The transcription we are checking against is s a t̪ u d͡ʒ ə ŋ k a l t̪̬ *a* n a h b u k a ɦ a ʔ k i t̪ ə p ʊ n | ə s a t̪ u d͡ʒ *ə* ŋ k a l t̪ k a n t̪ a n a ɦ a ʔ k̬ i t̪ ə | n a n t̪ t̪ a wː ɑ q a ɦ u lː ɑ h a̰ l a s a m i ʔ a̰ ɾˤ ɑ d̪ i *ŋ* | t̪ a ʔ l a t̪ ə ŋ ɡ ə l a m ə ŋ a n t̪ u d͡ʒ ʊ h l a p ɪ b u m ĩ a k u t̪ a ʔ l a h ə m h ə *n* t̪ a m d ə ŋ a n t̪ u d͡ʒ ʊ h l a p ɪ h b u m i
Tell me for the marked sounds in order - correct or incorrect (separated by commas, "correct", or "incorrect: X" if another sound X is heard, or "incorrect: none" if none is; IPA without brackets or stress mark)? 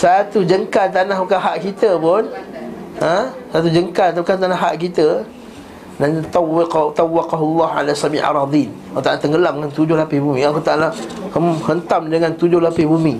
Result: correct, correct, incorrect: n, correct